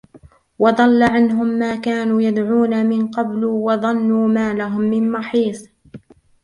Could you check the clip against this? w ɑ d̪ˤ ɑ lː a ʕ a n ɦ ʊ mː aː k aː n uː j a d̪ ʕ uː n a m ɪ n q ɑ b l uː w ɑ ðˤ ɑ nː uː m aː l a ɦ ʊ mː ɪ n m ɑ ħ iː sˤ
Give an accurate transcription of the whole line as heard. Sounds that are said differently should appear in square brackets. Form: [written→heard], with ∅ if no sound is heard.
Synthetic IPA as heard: w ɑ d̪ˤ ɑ lː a ʕ a n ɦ ʊ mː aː k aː n uː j a d̪ ʕ uː n a m ɪ n q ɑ b l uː w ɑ ðˤ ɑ nː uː m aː l a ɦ ʊ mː ɪ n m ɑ ħ iː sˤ